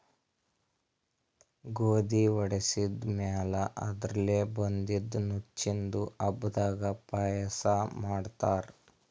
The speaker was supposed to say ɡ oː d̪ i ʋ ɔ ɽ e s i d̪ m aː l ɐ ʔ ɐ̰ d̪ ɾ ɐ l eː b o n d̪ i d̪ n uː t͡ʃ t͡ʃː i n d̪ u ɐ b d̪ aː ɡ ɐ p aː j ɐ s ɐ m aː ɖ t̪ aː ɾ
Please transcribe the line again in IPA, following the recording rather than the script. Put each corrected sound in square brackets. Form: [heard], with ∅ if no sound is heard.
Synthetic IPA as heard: ɡ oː d̪ i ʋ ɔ ɽ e s i d̪ m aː l ɐ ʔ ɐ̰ d̪ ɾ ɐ l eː b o n d̪ i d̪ n [u] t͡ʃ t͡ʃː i n d̪ u ɐ b d̪ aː ɡ ɐ p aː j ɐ s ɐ m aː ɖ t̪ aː ɾ